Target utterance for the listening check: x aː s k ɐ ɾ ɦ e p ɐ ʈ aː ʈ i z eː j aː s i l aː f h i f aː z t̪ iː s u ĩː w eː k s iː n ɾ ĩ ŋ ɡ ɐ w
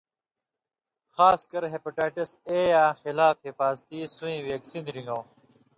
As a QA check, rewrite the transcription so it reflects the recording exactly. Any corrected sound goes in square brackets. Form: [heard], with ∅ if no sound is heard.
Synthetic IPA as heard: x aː s k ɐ ɾ ɦ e p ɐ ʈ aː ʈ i [s] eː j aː [x] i l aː f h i f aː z t̪ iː s u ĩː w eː k s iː n ɾ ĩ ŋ ɡ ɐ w